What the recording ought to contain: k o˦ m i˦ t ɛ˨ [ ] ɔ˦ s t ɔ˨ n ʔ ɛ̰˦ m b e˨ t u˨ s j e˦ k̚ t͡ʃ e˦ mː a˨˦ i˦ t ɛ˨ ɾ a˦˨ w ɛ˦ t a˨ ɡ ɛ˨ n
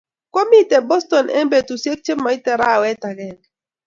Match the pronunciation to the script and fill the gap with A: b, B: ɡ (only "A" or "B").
A